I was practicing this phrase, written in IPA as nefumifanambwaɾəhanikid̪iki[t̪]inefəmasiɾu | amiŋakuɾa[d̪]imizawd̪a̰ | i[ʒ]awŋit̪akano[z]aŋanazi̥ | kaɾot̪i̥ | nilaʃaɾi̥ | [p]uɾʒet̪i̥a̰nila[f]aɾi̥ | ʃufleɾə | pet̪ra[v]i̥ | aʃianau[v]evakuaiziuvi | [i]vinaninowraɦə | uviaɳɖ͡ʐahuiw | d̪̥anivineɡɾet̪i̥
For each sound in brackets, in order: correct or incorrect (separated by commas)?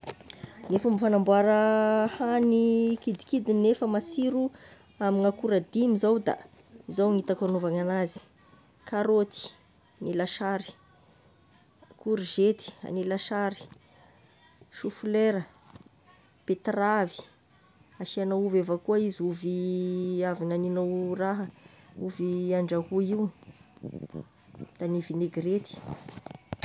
incorrect, correct, incorrect, incorrect, incorrect, incorrect, correct, correct, incorrect